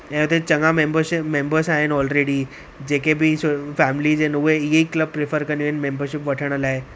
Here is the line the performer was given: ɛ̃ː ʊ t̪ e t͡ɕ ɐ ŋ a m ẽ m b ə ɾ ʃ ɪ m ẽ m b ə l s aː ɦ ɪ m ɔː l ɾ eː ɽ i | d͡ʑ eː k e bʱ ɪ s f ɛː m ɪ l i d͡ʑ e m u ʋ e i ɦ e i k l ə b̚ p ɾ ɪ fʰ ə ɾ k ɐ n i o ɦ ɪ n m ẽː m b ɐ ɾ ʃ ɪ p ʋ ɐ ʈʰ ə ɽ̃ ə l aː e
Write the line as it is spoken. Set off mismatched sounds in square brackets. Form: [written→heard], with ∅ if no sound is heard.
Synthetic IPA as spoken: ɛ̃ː ʊ t̪ e t͡ɕ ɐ ŋ a m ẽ m b ə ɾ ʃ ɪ m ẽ m b ə [l→ɾ] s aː ɦ ɪ [m→n] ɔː l ɾ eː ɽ i | d͡ʑ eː k e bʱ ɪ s f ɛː m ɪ l i d͡ʑ e [m→n] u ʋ e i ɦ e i k l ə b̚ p ɾ ɪ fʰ ə ɾ k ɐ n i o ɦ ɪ n m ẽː m b [ɐ→ə] ɾ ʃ ɪ p ʋ ɐ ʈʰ ə ɽ̃ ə l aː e